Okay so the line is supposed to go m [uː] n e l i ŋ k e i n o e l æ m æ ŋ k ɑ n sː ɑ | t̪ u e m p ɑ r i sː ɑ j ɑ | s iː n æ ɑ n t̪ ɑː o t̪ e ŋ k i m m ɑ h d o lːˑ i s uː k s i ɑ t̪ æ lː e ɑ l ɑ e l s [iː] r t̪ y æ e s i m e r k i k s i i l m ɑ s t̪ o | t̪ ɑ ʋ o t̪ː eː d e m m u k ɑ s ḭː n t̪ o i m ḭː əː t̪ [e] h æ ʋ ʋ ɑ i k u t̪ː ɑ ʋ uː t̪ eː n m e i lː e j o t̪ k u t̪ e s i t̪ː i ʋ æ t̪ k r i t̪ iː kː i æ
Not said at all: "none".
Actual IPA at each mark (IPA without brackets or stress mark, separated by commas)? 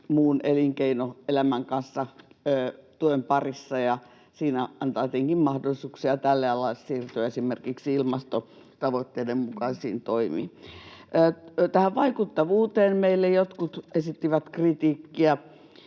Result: uː, iː, æ